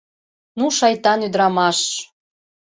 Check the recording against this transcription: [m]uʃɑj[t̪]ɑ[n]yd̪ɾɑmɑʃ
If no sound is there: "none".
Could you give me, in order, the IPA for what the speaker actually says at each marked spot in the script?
n, t̪, n

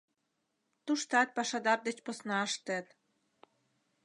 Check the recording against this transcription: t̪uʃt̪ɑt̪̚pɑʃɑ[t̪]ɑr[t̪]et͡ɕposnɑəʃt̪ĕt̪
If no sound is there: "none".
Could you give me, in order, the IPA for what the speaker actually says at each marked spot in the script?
d̪, d̪

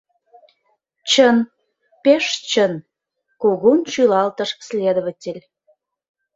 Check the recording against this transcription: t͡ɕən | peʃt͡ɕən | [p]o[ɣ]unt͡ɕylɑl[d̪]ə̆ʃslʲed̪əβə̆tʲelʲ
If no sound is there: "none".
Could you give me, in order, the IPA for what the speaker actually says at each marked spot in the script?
k, ɣ, t̪

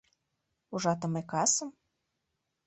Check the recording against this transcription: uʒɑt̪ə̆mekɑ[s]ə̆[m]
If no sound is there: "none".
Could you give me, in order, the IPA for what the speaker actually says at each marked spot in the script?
s, m

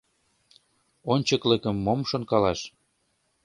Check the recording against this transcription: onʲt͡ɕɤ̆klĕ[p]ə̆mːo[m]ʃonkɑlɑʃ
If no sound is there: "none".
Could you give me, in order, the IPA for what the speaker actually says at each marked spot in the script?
k, m

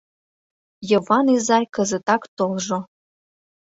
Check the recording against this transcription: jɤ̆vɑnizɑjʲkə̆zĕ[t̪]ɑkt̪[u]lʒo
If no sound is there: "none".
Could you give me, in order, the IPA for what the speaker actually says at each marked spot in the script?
t̪, o

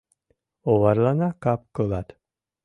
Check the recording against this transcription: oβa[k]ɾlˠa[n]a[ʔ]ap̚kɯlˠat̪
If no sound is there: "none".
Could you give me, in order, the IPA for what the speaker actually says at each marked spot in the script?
none, n, k

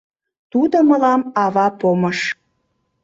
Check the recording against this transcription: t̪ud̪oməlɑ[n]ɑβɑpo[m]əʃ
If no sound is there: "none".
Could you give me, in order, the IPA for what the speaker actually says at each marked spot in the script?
m, m

